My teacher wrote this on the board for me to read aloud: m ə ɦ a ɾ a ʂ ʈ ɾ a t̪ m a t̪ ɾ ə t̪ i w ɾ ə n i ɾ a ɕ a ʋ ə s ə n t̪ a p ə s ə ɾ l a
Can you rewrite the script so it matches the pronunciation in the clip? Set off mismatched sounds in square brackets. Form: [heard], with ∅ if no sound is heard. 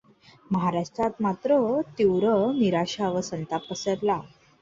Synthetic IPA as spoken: m ə ɦ a ɾ a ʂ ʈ ɾ a t̪ m a t̪ ɾ ə t̪ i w ɾ ə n i ɾ a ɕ a ʋ ə s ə n t̪ a p ə s ə ɾ l a